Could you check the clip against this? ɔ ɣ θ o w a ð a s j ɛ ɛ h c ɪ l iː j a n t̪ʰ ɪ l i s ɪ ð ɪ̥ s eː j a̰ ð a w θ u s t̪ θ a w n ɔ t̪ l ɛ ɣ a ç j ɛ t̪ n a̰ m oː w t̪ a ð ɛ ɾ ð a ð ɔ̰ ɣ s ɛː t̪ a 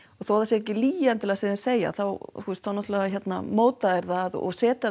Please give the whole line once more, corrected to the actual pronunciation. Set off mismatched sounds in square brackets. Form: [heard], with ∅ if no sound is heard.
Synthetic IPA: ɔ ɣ θ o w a ð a s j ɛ ɛ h c ɪ l iː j a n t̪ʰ ɪ l [a] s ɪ ð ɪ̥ s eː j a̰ [θ] a w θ u s t̪ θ a w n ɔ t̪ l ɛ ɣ a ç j ɛ t̪ n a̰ m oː w t̪ a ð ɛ ɾ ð a ð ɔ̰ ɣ s ɛː t̪ a